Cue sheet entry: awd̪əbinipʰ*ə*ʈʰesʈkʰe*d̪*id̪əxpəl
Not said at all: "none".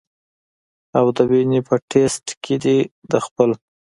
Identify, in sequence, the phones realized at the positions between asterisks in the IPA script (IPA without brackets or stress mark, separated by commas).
ə, d̪